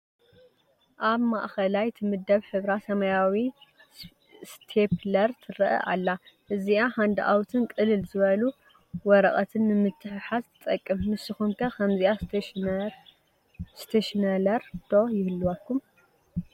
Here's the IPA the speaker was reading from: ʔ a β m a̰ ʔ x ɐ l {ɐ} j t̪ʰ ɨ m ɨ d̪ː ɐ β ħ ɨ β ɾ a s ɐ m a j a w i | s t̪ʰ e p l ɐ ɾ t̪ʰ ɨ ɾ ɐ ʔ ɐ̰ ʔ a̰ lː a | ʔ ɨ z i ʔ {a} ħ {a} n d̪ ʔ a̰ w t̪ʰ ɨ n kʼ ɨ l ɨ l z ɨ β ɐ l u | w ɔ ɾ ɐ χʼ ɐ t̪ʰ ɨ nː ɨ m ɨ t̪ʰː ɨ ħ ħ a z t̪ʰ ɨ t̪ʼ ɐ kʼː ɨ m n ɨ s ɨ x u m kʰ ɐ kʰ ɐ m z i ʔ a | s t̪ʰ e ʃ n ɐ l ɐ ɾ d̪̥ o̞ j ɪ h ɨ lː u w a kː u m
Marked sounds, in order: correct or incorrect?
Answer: incorrect, correct, correct

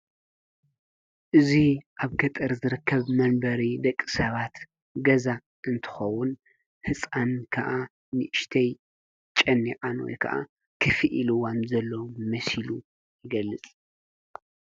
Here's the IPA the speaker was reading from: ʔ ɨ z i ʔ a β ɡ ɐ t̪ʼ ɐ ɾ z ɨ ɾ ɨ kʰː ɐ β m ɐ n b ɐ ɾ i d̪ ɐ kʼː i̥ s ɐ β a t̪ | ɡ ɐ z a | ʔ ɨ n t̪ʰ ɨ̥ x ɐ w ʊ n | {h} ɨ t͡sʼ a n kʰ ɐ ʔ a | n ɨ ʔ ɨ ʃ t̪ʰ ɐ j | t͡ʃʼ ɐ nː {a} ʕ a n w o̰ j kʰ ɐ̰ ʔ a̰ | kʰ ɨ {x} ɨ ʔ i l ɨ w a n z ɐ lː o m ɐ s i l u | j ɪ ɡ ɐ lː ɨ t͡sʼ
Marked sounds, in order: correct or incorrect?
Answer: correct, incorrect, incorrect

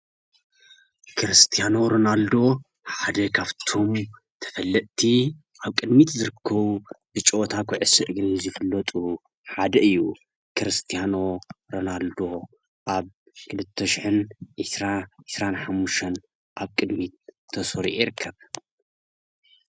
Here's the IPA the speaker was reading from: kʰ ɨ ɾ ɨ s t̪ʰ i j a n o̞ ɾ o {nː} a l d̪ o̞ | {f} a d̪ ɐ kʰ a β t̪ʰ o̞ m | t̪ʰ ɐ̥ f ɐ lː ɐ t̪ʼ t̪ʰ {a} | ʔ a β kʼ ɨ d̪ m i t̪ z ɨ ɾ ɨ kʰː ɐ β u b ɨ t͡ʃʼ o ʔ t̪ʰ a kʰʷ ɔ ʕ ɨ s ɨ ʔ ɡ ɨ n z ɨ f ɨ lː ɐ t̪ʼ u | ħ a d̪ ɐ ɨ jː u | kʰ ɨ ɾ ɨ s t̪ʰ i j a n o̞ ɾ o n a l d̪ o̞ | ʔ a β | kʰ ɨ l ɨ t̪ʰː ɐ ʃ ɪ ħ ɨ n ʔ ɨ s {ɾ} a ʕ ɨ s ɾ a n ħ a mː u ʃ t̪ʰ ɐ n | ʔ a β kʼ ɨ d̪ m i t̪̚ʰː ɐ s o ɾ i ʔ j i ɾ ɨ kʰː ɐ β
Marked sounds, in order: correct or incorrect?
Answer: incorrect, incorrect, incorrect, correct

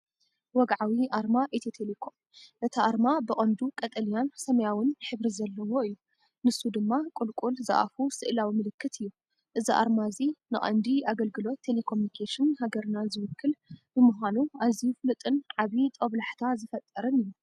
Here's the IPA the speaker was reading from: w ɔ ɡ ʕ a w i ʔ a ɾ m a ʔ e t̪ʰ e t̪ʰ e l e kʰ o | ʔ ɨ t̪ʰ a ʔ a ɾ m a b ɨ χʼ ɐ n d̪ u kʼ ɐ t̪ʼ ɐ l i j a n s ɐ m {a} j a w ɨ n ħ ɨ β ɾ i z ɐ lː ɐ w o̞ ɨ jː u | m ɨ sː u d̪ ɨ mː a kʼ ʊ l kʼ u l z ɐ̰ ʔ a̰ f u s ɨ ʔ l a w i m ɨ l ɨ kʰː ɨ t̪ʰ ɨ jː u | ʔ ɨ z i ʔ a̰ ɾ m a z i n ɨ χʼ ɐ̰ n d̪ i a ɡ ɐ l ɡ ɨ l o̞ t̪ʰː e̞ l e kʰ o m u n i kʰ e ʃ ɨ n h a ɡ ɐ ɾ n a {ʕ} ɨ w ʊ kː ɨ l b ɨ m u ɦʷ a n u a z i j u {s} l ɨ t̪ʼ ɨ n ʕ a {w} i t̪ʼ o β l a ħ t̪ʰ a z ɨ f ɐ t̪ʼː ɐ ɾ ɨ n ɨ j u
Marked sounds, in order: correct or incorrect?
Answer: incorrect, incorrect, incorrect, incorrect

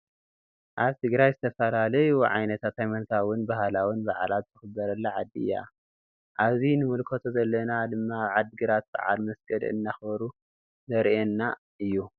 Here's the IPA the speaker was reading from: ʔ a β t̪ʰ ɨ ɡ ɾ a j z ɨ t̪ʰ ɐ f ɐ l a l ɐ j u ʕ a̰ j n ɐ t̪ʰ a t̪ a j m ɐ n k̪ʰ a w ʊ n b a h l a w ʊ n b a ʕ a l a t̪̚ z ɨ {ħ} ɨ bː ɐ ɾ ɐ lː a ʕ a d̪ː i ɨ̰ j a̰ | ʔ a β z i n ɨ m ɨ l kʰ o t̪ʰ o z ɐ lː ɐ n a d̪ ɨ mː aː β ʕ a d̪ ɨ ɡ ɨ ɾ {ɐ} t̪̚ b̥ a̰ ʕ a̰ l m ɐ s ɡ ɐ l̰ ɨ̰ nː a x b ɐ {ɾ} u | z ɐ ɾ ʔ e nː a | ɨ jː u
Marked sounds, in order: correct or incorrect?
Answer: incorrect, incorrect, correct

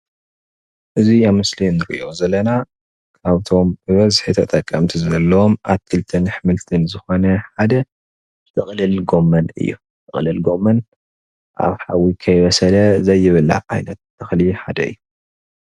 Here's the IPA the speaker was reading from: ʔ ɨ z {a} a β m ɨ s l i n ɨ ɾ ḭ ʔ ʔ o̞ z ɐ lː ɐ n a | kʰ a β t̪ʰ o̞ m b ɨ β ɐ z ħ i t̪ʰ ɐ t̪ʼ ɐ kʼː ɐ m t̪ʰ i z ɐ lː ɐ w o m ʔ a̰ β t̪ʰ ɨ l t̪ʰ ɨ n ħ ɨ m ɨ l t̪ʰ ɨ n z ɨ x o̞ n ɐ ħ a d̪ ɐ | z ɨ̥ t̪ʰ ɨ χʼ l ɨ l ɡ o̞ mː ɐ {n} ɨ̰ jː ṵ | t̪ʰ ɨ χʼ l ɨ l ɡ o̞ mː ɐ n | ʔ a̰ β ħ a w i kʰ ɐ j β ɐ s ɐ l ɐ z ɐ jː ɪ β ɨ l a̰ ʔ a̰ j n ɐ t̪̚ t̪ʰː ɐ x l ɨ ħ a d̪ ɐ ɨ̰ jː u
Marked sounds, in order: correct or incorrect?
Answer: incorrect, correct

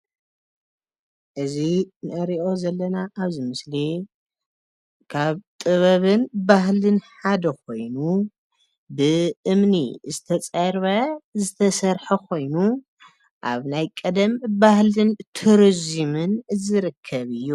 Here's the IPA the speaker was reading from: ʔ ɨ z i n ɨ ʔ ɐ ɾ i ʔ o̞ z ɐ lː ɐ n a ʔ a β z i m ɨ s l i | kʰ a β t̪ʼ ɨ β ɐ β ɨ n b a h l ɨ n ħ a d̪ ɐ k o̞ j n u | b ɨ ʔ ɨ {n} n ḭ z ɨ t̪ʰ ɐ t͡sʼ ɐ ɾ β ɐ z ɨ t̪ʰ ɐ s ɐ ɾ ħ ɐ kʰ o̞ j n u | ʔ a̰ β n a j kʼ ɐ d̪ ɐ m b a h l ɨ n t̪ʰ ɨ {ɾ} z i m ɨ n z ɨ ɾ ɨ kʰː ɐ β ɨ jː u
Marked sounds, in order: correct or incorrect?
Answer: incorrect, correct

